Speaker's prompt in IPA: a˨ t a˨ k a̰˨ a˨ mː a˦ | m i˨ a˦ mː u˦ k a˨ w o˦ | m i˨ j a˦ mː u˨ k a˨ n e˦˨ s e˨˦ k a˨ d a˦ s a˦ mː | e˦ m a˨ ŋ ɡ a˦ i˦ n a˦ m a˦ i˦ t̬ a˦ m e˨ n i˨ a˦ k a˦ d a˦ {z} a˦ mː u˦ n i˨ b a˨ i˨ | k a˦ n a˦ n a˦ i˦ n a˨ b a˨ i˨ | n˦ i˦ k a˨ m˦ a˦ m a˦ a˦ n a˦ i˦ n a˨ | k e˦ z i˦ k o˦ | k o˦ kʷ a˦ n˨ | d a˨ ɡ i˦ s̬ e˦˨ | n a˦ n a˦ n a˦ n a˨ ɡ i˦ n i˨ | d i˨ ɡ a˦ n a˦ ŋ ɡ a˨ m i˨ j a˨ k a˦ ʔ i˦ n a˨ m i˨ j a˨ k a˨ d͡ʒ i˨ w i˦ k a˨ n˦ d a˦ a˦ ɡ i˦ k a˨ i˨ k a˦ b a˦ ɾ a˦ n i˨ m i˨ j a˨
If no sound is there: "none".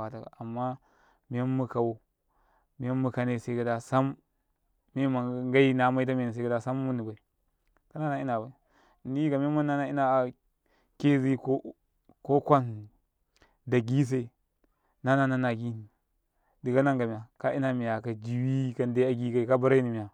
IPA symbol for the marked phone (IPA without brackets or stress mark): s